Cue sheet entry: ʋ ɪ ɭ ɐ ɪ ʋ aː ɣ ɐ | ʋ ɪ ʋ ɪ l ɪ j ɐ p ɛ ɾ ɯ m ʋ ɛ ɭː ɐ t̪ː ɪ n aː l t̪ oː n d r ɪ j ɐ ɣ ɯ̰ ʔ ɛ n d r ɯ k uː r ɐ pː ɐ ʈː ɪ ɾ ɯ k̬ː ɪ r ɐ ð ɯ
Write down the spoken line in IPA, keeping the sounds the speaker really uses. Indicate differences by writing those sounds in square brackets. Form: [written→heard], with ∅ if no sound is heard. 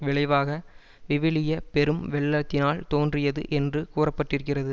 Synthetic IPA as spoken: ʋ ɪ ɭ ɐ ɪ ʋ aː ɣ ɐ | ʋ ɪ ʋ ɪ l ɪ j ɐ p ɛ ɾ ɯ m ʋ ɛ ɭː ɐ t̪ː ɪ n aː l t̪ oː n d r ɪ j ɐ [ɣ→ð] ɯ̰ ʔ ɛ n d r ɯ k uː r ɐ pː ɐ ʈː ɪ ɾ ɯ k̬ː ɪ r ɐ ð ɯ